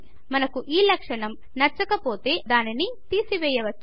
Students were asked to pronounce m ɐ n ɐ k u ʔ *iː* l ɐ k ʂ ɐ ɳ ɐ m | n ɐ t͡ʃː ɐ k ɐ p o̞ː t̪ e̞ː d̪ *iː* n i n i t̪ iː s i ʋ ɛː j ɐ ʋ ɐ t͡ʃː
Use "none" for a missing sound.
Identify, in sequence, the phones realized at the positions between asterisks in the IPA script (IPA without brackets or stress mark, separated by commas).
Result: iː, aː